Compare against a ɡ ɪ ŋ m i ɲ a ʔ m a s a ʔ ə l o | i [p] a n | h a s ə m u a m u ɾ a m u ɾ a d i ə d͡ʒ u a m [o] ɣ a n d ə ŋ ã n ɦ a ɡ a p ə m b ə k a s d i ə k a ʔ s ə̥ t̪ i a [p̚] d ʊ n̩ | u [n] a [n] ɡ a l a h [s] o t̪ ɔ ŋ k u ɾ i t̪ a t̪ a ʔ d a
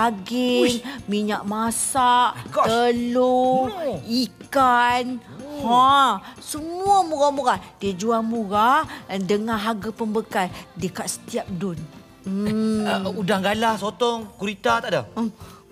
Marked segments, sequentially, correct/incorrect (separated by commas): incorrect, incorrect, correct, incorrect, incorrect, correct